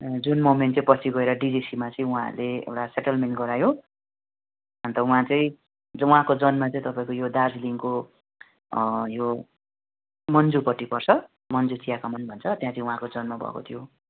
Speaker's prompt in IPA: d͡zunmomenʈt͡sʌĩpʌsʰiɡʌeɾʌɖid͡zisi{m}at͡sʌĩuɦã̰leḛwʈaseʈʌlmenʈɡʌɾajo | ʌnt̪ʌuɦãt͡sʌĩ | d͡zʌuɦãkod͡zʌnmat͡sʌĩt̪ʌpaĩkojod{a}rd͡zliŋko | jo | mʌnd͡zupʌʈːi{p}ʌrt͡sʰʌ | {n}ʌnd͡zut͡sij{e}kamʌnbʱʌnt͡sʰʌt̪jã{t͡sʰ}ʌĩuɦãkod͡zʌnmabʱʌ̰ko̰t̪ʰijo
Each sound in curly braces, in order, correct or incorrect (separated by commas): correct, correct, correct, incorrect, incorrect, incorrect